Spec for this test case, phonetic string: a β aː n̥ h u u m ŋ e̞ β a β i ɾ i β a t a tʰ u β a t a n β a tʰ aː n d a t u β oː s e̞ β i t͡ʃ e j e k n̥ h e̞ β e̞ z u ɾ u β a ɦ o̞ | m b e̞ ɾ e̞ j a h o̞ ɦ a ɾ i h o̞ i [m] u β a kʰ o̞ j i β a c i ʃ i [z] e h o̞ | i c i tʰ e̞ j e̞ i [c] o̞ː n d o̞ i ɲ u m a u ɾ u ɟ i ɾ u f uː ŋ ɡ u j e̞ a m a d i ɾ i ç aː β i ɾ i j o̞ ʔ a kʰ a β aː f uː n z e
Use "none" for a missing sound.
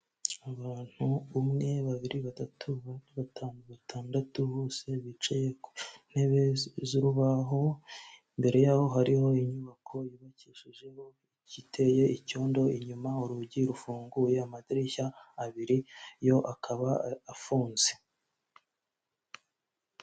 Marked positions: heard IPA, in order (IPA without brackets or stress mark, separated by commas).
ɲ, ʒ, c